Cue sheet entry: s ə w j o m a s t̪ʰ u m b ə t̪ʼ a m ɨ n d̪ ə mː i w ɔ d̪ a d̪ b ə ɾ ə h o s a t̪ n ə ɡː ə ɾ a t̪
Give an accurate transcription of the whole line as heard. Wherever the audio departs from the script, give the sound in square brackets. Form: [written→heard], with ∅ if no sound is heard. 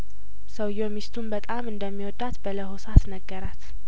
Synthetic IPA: s ə w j o m [a→i] s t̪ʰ u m b ə t̪ʼ a m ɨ n d̪ ə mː i w ɔ d̪ a [d̪→t̪] b ə [ɾ→l] ə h o s a t̪ n ə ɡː ə ɾ a t̪